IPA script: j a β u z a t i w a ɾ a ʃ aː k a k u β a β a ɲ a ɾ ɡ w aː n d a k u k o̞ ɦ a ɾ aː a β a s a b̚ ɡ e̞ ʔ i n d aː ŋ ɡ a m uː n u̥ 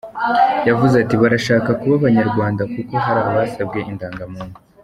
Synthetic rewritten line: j a v u z a t i β a ɾ a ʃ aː k a k u β a β a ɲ a ɾ ɡ w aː n d a k u k o̞ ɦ a ɾ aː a β a s a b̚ ɡ e̞ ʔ i n d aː ŋ ɡ a m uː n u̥